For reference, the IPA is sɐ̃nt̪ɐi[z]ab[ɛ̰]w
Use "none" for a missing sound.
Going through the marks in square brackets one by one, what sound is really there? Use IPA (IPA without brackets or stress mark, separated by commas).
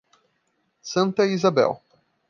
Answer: z, ɛ̰